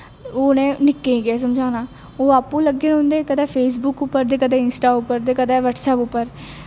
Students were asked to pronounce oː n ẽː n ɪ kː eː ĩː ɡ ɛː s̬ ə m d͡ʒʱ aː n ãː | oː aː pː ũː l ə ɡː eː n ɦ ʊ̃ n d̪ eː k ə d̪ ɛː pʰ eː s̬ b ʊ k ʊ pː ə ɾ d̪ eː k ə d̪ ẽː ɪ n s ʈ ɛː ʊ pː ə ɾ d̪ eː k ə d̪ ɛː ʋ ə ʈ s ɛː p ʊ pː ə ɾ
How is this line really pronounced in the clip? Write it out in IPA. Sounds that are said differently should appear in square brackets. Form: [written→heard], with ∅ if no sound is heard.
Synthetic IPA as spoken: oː n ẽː n ɪ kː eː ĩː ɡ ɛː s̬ ə m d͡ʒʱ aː n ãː | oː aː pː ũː l ə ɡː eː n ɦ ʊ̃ n d̪ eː k ə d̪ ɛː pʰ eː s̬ b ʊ k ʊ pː ə ɾ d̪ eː k ə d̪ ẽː ɪ n s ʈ [ɛː→aː] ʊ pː ə ɾ d̪ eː k ə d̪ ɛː ʋ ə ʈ s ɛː p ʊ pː ə ɾ